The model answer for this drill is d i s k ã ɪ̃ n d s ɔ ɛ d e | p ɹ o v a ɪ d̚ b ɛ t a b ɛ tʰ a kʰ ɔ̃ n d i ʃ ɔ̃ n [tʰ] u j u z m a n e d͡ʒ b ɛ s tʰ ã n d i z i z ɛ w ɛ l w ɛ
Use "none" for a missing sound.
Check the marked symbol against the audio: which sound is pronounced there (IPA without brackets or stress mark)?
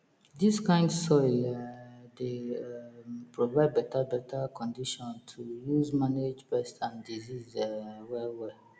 tʰ